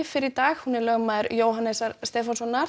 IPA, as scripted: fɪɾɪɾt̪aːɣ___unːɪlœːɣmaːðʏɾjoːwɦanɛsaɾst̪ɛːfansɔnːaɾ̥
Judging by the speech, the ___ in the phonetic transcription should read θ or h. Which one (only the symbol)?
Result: h